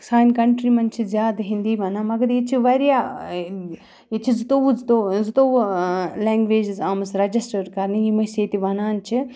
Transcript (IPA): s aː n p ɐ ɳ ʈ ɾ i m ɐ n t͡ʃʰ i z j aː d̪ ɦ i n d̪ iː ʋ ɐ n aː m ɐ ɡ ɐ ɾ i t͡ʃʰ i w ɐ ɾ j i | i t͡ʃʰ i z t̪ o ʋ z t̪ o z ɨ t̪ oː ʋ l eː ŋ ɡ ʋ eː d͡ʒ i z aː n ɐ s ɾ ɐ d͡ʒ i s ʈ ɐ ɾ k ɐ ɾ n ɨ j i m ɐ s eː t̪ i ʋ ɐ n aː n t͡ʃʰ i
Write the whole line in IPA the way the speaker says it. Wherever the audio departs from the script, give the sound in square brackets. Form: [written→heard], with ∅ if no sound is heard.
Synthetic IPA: s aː n [p→k] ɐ ɳ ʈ ɾ i m ɐ n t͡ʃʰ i z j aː d̪ ɦ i n d̪ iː ʋ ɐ n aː m ɐ ɡ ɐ ɾ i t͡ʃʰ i [w→ʋ] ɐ ɾ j [i→a] | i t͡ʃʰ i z t̪ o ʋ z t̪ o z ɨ t̪ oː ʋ l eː ŋ ɡ ʋ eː d͡ʒ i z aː [n→m] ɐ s ɾ ɐ d͡ʒ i s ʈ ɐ ɾ k ɐ ɾ n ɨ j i m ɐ s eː t̪ i ʋ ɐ n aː n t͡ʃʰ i